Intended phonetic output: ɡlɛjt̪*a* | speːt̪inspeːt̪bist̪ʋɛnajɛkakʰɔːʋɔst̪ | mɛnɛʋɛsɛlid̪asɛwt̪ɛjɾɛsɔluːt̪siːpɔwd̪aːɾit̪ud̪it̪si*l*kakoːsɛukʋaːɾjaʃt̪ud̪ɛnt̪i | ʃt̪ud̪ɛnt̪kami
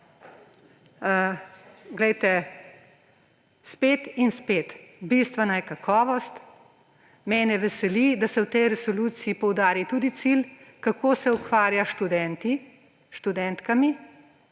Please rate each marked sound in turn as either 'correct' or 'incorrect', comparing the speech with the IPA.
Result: incorrect, correct

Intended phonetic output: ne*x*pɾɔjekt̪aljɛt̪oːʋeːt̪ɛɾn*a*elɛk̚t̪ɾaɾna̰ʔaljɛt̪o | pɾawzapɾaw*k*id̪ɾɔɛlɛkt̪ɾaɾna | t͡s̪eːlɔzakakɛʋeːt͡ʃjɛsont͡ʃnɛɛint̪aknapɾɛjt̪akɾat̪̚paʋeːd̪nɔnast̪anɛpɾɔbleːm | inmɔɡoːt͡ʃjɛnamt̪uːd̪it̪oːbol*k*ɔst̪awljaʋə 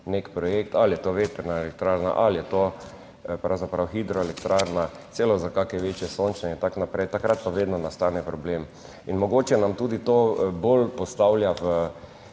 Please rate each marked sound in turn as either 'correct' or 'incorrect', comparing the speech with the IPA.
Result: incorrect, correct, incorrect, incorrect

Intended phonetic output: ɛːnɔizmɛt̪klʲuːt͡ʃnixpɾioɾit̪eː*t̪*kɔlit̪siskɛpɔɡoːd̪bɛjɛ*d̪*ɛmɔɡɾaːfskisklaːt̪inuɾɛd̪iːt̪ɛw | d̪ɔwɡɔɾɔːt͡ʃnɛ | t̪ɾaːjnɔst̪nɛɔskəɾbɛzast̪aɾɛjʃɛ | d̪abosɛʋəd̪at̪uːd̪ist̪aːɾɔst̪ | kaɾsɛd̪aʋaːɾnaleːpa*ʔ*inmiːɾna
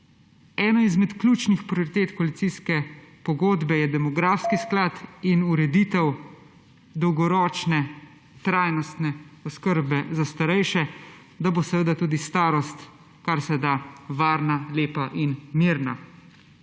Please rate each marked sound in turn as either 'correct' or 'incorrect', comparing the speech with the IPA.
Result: correct, correct, correct

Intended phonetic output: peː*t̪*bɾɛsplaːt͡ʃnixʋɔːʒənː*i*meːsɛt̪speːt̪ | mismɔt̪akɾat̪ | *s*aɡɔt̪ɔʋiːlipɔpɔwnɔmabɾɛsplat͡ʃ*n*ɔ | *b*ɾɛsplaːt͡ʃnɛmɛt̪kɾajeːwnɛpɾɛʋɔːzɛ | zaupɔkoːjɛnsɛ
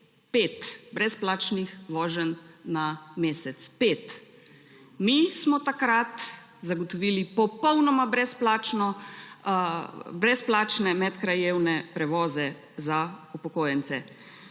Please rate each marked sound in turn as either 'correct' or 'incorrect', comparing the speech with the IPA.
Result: correct, incorrect, incorrect, correct, correct

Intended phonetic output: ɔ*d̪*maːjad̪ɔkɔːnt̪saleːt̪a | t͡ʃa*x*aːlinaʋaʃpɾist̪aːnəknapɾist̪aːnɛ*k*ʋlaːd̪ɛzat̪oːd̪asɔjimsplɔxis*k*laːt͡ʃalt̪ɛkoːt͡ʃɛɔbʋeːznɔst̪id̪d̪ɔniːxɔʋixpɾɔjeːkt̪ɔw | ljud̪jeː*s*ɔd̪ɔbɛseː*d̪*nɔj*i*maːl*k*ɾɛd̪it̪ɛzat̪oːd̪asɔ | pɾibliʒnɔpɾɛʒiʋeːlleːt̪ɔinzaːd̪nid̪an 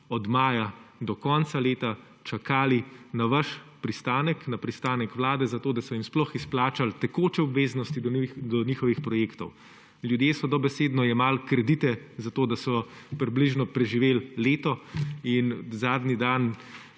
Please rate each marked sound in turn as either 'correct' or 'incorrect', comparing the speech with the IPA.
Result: correct, incorrect, correct, incorrect, correct, correct, incorrect, correct

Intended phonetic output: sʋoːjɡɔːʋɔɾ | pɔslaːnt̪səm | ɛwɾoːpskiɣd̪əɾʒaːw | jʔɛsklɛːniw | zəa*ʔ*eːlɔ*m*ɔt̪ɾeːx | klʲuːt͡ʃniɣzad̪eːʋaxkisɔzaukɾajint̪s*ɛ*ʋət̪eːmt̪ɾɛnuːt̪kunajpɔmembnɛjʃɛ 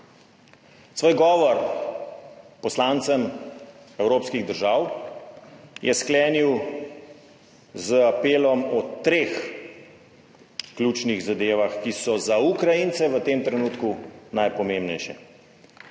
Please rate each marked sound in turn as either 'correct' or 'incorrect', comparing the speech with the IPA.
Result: incorrect, correct, correct

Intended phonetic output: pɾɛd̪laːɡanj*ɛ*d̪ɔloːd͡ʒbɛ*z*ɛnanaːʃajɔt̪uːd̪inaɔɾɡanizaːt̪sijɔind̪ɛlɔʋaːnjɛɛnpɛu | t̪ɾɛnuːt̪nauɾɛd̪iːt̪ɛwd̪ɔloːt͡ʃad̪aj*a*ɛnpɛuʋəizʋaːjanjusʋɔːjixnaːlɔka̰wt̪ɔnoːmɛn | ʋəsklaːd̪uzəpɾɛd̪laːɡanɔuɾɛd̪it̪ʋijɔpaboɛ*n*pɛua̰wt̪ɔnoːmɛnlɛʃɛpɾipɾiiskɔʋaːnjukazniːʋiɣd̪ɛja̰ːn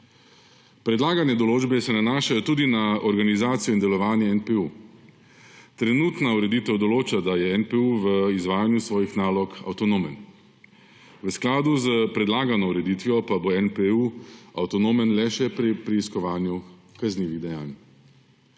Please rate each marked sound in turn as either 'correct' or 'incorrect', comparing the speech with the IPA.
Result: correct, incorrect, incorrect, correct

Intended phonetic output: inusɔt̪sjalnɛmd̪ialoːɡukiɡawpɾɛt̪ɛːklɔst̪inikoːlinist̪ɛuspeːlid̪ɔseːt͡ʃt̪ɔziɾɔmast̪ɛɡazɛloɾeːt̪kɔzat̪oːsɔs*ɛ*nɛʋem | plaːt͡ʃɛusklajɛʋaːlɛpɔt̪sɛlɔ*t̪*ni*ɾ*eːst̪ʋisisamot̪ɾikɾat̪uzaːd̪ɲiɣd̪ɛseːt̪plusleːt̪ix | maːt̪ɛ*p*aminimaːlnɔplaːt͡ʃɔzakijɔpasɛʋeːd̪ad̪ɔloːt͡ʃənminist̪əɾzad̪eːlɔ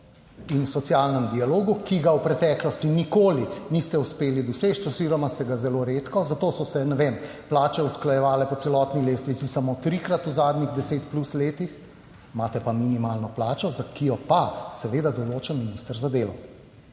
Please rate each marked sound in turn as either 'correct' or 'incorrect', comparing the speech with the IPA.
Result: correct, correct, incorrect, correct

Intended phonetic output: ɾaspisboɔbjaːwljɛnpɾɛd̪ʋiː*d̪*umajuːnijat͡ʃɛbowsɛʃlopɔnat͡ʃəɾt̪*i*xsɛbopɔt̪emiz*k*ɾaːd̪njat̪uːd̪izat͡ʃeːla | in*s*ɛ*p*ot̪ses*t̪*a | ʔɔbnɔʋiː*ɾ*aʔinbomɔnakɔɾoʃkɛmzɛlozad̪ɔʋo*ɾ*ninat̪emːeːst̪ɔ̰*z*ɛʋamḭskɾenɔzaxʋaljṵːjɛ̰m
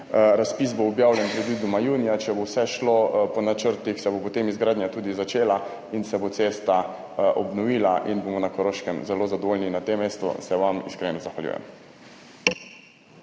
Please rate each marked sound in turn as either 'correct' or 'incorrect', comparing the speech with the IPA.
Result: correct, correct, incorrect, correct, incorrect, correct, incorrect, incorrect, incorrect

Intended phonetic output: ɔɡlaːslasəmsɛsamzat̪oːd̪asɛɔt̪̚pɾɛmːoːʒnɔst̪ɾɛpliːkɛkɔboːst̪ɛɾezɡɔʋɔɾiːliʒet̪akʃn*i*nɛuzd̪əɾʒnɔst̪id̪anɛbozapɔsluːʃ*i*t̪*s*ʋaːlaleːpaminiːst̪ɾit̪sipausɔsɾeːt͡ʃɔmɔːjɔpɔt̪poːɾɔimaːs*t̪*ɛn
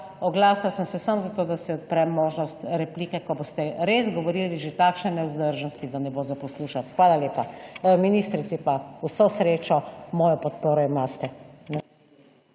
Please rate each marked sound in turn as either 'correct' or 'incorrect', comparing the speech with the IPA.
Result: incorrect, incorrect, incorrect, correct

